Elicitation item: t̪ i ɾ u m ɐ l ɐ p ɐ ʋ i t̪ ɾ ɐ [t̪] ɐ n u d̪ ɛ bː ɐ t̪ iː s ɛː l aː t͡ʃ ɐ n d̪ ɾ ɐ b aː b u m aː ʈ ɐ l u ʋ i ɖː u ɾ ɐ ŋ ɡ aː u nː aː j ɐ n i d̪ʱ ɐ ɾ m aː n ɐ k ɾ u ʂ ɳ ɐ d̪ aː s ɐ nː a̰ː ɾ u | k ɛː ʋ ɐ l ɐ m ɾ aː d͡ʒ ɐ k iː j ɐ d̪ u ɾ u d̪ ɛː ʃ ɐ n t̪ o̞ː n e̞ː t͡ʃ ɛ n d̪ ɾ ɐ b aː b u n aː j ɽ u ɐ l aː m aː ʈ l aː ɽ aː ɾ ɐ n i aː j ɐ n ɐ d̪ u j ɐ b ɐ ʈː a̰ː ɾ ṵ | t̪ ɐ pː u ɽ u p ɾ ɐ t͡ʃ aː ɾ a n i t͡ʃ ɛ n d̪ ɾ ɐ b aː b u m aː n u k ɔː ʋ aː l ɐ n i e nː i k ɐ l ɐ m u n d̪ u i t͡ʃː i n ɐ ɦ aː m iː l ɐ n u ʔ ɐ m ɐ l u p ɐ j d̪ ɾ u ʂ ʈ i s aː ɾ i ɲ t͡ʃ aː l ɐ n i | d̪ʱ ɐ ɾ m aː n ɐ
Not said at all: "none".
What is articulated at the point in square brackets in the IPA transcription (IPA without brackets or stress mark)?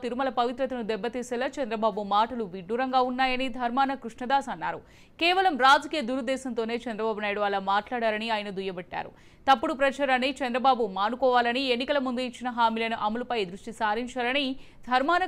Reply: t̪